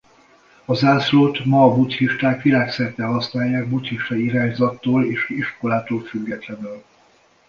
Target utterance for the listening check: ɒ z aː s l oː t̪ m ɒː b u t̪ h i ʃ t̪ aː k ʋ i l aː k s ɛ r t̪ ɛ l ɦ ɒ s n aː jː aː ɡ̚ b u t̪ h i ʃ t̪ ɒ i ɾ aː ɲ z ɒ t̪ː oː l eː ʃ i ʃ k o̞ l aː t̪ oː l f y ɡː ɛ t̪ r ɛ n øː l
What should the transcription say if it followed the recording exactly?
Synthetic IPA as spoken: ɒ z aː s l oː t̪ m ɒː b u t̪ h i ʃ t̪ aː k ʋ i l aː k s ɛ r t̪ ɛ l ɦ ɒ s n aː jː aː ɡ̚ b u t̪ h i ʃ t̪ ɒ i ɾ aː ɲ z ɒ t̪ː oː l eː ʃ i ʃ k o̞ l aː t̪ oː l f y ɡː ɛ t̪ l ɛ n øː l